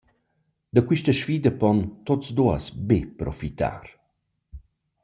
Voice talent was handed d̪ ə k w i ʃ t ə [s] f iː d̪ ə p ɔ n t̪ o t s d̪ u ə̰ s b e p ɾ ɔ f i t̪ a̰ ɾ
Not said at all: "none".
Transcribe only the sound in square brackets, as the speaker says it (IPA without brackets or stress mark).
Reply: ʃ